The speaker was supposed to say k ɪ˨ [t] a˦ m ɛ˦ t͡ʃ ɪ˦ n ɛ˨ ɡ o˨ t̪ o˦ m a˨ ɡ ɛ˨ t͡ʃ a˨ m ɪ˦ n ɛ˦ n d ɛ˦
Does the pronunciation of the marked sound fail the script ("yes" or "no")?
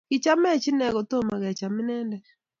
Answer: yes